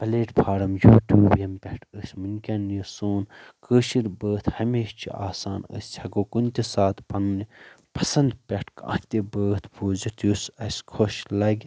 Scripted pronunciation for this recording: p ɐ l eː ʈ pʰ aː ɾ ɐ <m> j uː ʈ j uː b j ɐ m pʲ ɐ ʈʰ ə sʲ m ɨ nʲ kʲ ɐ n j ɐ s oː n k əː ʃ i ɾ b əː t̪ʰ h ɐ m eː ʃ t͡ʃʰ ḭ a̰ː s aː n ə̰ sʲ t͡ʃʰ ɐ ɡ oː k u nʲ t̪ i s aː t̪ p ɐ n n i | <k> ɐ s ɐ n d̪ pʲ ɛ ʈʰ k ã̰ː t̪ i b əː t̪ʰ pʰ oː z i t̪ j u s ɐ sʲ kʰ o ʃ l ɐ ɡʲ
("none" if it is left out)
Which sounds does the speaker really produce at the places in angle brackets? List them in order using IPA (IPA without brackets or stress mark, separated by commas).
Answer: m, p